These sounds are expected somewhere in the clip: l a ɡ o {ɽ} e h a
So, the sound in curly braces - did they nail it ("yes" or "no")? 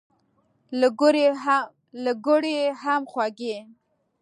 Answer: yes